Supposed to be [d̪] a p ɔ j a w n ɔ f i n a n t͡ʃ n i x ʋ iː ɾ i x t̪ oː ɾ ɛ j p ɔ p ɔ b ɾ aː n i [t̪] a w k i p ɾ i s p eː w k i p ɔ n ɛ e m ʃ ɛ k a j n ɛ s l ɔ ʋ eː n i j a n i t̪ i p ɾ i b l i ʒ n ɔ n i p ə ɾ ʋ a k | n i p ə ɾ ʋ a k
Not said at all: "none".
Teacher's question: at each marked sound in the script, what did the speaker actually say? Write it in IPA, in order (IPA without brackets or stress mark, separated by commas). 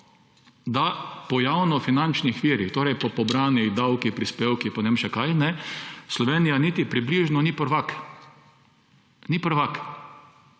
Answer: d̪, d̪